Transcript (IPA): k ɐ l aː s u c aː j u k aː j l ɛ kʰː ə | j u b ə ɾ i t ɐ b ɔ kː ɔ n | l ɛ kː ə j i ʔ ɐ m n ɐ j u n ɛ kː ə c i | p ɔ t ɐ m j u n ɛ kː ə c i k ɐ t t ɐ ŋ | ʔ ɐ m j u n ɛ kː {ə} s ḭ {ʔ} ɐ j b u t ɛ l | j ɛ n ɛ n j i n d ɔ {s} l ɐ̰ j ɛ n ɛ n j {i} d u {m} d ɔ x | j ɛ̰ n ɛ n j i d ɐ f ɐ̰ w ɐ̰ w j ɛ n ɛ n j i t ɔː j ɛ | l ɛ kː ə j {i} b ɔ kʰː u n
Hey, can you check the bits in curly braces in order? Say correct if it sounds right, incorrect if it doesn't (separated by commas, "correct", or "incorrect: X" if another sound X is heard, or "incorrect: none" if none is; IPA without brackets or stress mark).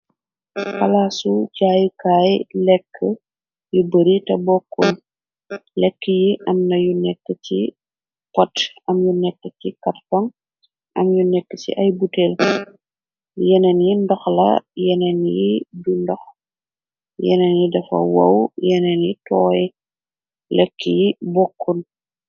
correct, correct, incorrect: x, correct, incorrect: n, correct